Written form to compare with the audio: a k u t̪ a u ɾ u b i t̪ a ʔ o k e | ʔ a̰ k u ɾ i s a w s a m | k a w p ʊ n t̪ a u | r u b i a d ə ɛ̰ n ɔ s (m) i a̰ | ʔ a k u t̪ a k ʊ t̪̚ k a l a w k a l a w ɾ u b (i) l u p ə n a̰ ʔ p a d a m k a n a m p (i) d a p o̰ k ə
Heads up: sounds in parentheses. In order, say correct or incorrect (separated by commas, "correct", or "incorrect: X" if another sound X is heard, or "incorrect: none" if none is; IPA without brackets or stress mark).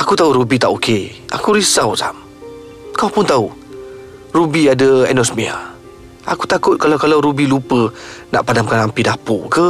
correct, correct, correct